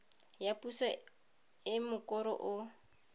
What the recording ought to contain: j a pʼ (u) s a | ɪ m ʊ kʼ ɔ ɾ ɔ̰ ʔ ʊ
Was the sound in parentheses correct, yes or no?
yes